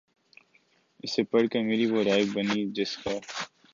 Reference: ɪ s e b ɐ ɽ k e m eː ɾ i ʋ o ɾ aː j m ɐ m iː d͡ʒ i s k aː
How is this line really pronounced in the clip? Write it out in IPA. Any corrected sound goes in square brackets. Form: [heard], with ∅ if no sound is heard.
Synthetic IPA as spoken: ɪ s e [p] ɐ ɽ k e m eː ɾ i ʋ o ɾ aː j [b] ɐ [n] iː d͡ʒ [ɪ] s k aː